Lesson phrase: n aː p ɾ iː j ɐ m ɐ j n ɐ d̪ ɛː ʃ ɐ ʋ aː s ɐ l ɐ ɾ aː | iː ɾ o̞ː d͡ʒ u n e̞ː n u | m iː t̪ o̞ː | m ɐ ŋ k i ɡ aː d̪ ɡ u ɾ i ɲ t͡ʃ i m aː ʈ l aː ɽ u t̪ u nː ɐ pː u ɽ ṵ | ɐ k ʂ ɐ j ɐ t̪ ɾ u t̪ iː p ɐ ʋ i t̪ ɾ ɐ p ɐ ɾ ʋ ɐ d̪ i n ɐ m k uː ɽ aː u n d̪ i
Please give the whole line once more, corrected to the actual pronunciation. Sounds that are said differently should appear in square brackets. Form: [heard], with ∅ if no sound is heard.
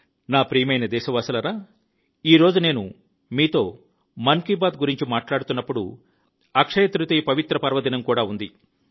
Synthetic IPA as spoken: n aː p ɾ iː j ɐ m ɐ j n ɐ d̪ ɛː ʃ ɐ ʋ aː s ɐ l ɐ ɾ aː | iː ɾ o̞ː d͡ʒ u n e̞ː n u | m iː t̪ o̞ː | m ɐ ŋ k i [b] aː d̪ ɡ u ɾ i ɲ t͡ʃ i m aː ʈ l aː ɽ u t̪ u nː ɐ pː u ɽ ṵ | ɐ k ʂ ɐ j ɐ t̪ ɾ u t̪ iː p ɐ ʋ i t̪ ɾ ɐ p ɐ ɾ ʋ ɐ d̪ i n ɐ m k uː ɽ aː u n d̪ i

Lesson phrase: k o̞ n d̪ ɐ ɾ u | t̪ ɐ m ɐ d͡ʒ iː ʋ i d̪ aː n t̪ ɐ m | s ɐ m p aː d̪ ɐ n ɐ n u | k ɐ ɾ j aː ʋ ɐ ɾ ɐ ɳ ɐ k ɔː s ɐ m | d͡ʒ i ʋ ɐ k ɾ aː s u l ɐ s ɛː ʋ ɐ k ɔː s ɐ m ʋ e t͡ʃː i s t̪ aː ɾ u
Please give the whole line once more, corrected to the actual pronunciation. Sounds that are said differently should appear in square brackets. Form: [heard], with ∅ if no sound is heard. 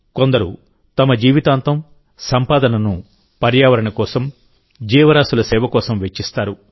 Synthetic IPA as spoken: k o̞ n d̪ ɐ ɾ u | t̪ ɐ m ɐ d͡ʒ iː ʋ i [t̪] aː n t̪ ɐ m | s ɐ m p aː d̪ ɐ n ɐ n u | [p] ɐ ɾ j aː ʋ ɐ ɾ ɐ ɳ ɐ k ɔː s ɐ m | d͡ʒ [iː] ʋ ɐ [∅] ɾ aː s u l ɐ s ɛː ʋ ɐ k ɔː s ɐ m ʋ e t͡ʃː i s t̪ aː ɾ u

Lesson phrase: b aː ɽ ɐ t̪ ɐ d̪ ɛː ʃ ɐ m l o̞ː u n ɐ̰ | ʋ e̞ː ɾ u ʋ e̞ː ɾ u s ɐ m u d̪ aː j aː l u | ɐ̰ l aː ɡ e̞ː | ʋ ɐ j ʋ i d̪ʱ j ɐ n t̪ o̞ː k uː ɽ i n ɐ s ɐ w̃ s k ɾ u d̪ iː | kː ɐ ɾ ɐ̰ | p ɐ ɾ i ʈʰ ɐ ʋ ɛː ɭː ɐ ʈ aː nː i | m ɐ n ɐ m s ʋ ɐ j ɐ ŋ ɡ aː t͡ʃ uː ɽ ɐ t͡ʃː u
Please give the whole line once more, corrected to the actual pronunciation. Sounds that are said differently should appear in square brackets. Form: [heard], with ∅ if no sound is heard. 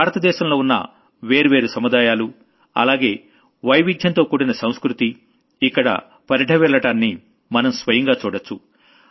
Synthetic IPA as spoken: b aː [ɾ] ɐ t̪ ɐ d̪ ɛː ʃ ɐ m l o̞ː u [nː] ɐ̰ | ʋ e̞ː ɾ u ʋ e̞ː ɾ u s ɐ m u d̪ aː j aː l u | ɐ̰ l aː ɡ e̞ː | ʋ ɐ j ʋ i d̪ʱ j ɐ n t̪ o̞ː k uː ɽ i n ɐ s ɐ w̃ s k ɾ u [t̪] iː | kː ɐ [ɽ] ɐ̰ | p ɐ ɾ i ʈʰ ɐ ʋ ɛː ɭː ɐ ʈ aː nː i | m ɐ n ɐ m s ʋ ɐ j ɐ ŋ ɡ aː t͡ʃ uː ɽ ɐ t͡ʃː u

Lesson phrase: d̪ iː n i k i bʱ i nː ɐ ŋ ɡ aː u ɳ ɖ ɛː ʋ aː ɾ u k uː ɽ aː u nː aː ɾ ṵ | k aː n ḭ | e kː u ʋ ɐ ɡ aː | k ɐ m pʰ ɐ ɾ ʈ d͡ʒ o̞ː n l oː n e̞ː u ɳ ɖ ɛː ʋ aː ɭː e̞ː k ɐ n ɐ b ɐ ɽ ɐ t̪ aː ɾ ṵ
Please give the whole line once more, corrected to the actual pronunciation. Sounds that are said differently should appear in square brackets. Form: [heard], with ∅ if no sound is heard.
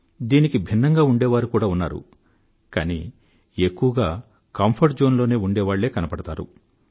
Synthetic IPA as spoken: d̪ iː n i k i bʱ i nː ɐ ŋ ɡ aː u ɳ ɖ ɛː ʋ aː ɾ u k uː ɽ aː u nː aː ɾ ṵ | k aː n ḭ | e kː u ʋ ɐ ɡ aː | k ɐ m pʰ ɐ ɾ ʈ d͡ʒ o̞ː n l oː n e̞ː u ɳ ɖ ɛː ʋ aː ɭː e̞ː k ɐ n ɐ [p] ɐ ɽ ɐ t̪ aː ɾ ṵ

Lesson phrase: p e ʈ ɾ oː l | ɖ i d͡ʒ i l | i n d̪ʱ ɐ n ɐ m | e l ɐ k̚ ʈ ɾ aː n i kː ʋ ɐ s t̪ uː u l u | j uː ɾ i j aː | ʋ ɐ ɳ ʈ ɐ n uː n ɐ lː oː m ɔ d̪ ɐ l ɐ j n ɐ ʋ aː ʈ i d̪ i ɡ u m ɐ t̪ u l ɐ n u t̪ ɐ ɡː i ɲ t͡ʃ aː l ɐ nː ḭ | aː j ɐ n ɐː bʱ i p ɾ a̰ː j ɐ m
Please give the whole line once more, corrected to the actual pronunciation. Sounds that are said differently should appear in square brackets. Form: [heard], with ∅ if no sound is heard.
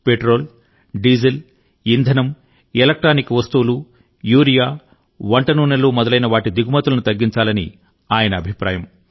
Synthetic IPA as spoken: p e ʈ ɾ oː l | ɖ i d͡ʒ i l | i n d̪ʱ ɐ n ɐ m | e l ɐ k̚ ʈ ɾ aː n i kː ʋ ɐ s t̪ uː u l u | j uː ɾ i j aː | ʋ ɐ ɳ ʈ ɐ n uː n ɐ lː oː m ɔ d̪ ɐ l ɐ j n ɐ ʋ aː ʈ i d̪ i ɡ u m ɐ t̪ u l ɐ n u t̪ ɐ ɡː i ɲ t͡ʃ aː l ɐ [n] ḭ | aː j ɐ n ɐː bʱ i p ɾ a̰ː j ɐ m

